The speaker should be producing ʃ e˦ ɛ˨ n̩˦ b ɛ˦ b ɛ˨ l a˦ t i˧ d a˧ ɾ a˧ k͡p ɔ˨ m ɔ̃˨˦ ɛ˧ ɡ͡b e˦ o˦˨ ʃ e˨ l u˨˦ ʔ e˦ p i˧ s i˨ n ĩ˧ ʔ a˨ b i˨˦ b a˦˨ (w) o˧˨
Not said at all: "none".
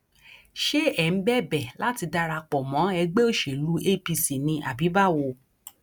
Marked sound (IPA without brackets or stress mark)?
w